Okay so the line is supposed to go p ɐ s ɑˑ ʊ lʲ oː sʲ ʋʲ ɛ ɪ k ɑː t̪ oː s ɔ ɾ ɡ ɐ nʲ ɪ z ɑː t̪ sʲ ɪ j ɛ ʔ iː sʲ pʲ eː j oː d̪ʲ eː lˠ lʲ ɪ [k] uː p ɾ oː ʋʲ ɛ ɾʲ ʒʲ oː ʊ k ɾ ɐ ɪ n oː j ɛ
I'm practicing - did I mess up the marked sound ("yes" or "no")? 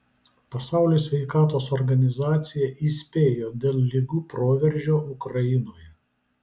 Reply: yes